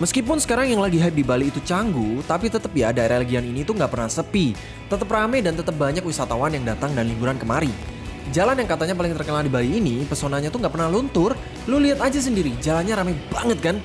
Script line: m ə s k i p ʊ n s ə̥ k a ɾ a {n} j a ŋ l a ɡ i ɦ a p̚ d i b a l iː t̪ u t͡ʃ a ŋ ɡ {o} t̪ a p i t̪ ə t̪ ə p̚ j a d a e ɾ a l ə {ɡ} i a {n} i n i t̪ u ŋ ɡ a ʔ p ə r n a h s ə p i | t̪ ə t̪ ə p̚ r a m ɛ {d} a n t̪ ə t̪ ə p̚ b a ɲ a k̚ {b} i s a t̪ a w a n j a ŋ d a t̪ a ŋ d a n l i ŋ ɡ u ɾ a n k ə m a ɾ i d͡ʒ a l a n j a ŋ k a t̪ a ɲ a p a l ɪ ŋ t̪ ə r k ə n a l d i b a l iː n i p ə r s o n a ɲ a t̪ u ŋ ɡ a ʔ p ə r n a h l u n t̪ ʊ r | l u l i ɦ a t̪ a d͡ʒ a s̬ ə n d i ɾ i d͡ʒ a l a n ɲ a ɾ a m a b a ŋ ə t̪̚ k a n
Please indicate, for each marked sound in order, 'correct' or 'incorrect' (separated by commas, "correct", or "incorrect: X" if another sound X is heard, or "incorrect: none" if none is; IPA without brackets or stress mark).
incorrect: ŋ, incorrect: u, correct, correct, correct, incorrect: w